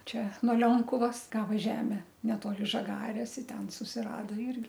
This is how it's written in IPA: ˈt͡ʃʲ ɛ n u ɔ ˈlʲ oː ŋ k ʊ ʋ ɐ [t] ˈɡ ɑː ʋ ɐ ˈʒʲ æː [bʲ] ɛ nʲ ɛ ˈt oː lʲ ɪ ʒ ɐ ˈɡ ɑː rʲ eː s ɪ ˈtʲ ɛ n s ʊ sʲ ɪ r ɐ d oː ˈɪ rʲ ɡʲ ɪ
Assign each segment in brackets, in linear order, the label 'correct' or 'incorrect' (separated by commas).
incorrect, incorrect